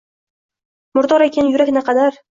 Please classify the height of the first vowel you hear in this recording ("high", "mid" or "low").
high